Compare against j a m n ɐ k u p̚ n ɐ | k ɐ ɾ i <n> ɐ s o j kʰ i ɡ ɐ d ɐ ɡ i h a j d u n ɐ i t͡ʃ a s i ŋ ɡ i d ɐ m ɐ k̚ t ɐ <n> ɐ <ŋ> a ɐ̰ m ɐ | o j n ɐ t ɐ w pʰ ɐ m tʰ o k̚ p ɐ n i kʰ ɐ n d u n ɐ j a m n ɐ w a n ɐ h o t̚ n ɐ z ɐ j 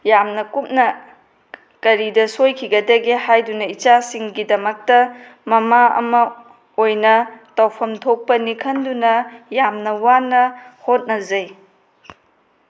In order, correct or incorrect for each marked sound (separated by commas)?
incorrect, incorrect, incorrect